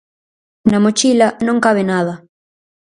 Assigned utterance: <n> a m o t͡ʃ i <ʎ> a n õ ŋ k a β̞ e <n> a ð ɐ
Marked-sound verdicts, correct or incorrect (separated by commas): correct, incorrect, correct